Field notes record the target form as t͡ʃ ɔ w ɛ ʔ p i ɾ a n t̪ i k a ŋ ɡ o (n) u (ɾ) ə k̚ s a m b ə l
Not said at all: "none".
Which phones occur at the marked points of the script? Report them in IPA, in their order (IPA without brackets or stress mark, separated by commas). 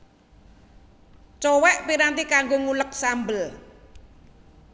ŋ, l